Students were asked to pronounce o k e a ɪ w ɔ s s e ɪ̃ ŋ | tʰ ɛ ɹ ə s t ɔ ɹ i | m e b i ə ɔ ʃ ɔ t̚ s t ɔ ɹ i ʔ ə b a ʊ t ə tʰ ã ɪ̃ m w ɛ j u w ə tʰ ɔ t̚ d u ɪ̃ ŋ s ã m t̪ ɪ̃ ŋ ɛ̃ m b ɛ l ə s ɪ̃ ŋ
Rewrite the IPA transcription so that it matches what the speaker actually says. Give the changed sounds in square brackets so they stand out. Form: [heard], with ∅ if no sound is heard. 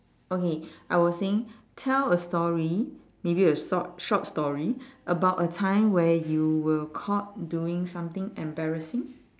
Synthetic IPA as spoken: o k e a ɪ w ɔ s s e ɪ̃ ŋ | tʰ ɛ [l] ə s t ɔ ɹ i | m e b i ə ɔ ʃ ɔ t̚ s t ɔ ɹ i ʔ ə b a ʊ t ə tʰ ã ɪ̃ m w ɛ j u w ə [kʰ] ɔ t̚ d u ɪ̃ ŋ s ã m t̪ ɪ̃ ŋ ɛ̃ m b ɛ [ɹ] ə s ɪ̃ ŋ